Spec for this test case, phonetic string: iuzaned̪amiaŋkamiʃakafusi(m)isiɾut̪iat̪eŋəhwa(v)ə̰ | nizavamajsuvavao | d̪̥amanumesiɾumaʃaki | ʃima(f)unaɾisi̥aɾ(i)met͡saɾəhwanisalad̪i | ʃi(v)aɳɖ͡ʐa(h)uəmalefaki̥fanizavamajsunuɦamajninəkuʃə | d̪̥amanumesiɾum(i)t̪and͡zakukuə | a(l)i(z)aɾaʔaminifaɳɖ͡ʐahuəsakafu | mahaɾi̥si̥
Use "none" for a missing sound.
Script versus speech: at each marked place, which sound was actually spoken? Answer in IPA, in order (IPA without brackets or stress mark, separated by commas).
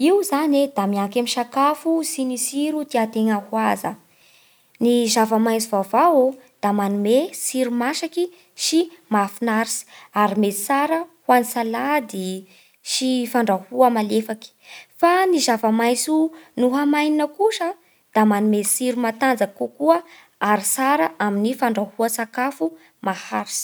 n, z, f, i, f, h, a, ɾ, s